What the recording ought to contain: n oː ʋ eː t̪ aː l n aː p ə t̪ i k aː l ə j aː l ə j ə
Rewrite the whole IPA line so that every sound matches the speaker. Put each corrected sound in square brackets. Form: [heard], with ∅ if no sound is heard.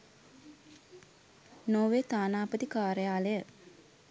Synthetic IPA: n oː ʋ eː t̪ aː [∅] n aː p ə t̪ i k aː [ɾ] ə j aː l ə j ə